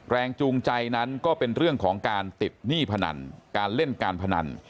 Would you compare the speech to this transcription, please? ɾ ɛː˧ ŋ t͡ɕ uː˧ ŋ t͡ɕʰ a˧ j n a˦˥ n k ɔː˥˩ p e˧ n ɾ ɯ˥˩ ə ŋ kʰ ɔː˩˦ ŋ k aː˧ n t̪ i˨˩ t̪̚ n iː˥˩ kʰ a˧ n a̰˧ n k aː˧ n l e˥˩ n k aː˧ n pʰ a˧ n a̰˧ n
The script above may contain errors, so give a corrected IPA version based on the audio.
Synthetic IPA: ɾ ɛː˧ ŋ t͡ɕ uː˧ ŋ t͡ɕ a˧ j n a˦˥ n k ɔː˥˩ p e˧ n ɾ ɯ˥˩ ə ŋ kʰ ɔː˩˦ ŋ k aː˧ n t̪ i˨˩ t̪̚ n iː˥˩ pʰ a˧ n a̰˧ n k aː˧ n l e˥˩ n k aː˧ n pʰ a˧ n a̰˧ n